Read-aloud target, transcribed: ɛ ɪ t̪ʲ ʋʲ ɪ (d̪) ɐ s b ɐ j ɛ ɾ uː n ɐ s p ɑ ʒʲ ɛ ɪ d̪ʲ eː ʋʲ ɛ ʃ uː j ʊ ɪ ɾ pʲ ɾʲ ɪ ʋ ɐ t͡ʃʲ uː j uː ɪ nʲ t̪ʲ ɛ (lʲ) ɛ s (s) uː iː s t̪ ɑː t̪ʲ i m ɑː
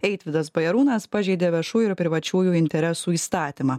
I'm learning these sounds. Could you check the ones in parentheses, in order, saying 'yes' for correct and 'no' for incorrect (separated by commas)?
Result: yes, no, yes